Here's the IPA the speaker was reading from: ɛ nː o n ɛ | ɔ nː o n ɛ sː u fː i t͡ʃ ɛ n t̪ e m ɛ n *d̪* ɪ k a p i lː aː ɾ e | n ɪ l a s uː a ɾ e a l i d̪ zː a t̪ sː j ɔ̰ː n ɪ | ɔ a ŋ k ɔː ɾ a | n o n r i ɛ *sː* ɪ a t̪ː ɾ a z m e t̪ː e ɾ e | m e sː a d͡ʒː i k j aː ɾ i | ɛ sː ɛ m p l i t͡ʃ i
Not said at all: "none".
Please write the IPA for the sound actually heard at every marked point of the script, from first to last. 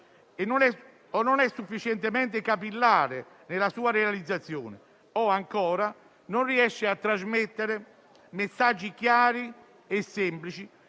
t̪, ʃː

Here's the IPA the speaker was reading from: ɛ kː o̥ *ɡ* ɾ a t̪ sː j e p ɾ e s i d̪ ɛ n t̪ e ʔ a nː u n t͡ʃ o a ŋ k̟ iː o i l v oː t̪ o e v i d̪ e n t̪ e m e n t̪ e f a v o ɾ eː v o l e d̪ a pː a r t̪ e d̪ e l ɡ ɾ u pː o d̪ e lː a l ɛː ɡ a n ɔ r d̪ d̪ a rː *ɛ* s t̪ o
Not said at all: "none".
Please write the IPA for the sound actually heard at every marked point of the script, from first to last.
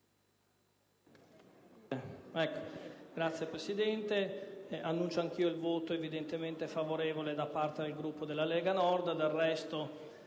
ɡ, ɛ

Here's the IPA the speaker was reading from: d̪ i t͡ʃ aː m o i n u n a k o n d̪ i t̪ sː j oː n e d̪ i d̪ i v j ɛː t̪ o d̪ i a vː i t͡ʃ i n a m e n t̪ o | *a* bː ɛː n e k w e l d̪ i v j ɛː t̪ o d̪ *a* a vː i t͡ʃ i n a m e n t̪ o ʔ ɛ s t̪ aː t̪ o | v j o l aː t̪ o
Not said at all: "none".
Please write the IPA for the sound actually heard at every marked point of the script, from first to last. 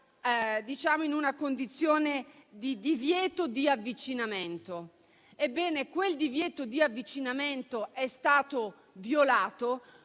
e, i

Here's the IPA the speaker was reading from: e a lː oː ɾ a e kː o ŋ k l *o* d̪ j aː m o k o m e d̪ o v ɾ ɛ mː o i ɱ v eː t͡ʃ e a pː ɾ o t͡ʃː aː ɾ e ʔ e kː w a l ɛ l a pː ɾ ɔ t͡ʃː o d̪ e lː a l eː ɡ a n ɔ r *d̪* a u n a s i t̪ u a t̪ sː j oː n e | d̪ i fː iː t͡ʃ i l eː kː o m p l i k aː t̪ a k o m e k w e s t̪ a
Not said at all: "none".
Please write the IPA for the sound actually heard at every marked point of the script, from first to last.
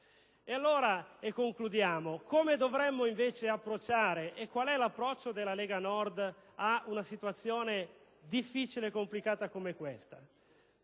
u, d̪

